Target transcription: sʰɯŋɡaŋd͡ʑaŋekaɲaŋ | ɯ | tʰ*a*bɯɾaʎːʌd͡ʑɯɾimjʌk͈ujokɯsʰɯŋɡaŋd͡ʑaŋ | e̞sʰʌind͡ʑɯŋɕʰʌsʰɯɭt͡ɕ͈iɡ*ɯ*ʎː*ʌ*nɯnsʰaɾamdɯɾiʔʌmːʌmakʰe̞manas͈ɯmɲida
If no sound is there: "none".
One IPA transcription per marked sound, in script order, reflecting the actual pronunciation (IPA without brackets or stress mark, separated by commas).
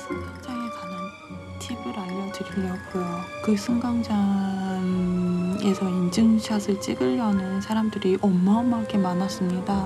i, ɯ, ʌ